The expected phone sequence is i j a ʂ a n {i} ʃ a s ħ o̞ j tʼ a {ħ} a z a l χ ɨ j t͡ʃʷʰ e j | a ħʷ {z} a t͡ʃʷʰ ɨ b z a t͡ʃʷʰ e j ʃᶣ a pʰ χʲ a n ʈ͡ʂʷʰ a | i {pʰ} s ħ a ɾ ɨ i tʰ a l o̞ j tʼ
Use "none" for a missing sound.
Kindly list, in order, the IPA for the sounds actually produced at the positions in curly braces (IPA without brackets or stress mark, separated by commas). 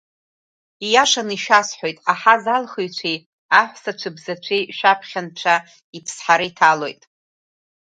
i, ħ, s, pʰ